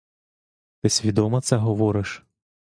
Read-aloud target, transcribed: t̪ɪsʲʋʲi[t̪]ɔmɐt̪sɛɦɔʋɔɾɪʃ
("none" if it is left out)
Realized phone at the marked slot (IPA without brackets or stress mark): d̪